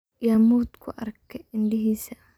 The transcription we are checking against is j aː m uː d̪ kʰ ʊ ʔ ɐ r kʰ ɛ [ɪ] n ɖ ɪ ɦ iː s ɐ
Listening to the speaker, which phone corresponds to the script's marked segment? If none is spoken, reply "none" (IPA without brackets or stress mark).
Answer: ɪ